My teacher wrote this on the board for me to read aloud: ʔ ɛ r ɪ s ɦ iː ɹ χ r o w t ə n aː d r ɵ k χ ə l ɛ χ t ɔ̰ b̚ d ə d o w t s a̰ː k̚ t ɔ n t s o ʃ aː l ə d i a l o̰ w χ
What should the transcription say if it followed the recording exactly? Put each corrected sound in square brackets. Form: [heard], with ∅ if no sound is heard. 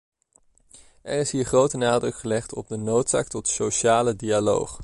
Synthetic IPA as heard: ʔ ɛ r ɪ s ɦ iː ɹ χ r o w t ə n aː d r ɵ k χ ə l ɛ χ t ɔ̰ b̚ d ə [n] o w t s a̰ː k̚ t ɔ [∅] t s o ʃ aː l ə d i a l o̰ w χ